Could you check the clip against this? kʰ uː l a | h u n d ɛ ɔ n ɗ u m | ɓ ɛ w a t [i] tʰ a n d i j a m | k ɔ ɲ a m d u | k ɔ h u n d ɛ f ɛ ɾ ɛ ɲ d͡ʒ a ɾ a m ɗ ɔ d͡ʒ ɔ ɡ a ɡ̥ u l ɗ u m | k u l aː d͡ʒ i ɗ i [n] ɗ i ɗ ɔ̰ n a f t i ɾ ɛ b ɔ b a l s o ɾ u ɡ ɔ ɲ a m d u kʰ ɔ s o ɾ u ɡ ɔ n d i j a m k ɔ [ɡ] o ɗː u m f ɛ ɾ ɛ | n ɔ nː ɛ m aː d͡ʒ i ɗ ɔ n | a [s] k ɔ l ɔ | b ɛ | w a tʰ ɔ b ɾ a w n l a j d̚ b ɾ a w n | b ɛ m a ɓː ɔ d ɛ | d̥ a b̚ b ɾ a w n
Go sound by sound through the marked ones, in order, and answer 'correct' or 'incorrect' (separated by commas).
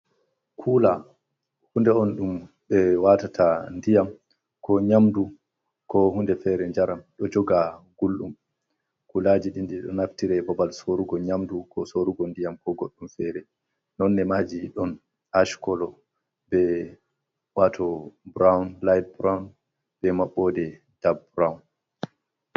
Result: incorrect, correct, correct, incorrect